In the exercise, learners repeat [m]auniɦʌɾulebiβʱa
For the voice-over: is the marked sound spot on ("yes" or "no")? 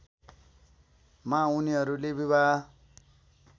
yes